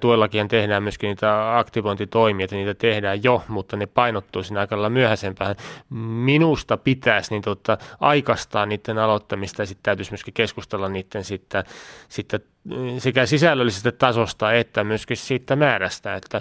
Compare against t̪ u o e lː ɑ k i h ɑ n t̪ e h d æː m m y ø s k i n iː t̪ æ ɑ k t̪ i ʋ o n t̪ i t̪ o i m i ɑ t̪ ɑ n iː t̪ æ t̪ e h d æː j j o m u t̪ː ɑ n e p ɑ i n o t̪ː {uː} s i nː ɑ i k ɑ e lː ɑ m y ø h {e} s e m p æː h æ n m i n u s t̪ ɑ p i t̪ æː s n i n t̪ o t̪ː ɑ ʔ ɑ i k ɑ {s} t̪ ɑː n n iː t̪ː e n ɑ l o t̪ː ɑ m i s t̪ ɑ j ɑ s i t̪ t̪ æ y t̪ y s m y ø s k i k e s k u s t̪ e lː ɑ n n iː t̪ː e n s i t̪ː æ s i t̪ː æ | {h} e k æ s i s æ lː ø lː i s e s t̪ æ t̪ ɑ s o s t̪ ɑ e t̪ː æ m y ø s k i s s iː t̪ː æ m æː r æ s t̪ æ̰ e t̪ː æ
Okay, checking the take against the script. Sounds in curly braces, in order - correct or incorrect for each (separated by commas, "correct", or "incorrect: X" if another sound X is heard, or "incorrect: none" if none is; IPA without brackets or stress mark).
correct, incorrect: æ, correct, incorrect: s